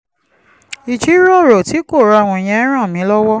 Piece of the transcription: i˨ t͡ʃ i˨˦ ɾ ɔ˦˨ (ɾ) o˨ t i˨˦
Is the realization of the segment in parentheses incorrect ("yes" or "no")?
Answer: no